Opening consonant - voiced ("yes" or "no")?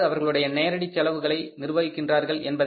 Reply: yes